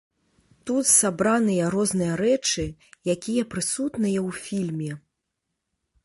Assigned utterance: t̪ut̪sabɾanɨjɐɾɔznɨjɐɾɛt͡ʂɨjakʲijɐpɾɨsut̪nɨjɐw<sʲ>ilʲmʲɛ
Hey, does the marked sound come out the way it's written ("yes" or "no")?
no